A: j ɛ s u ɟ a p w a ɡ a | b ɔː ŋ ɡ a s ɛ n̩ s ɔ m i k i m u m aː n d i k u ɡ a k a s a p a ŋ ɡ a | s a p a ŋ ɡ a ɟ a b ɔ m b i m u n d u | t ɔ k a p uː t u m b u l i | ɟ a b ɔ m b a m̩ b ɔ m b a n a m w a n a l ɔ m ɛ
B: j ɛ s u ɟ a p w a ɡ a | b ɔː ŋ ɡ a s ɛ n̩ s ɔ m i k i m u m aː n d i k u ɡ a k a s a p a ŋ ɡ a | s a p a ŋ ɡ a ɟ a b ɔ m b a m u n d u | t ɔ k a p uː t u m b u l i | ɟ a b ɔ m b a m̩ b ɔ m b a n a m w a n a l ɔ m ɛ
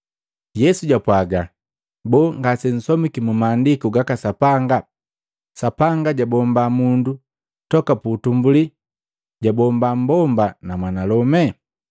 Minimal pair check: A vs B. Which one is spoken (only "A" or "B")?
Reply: B